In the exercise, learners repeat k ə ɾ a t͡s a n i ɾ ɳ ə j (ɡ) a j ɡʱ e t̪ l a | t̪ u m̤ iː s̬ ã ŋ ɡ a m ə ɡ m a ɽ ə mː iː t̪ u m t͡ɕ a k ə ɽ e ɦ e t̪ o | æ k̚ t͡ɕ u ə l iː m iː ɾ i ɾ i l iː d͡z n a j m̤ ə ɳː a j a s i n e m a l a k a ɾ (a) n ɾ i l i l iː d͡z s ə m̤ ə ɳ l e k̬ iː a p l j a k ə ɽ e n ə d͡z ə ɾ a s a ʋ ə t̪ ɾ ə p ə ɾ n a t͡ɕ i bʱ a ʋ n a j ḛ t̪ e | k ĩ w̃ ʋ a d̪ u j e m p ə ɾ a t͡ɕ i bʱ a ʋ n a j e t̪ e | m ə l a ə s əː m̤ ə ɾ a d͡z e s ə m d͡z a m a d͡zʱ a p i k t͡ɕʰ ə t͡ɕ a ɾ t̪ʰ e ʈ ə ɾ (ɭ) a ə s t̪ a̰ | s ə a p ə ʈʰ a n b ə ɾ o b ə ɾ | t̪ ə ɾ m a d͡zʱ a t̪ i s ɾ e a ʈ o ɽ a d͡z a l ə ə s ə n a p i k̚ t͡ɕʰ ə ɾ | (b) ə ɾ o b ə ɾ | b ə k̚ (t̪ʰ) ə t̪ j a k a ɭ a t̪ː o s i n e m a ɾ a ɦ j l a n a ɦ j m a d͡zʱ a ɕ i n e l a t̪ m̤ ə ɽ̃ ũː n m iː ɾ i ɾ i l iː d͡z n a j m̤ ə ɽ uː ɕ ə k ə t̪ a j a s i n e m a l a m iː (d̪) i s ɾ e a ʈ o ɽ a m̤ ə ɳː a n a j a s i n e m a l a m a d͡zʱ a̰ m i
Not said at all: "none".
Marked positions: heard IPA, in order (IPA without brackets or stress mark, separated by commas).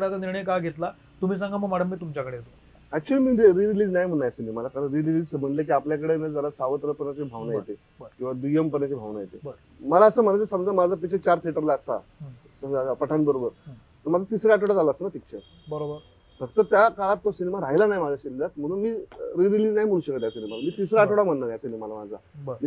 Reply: k, ə, l, b, t̪, t̪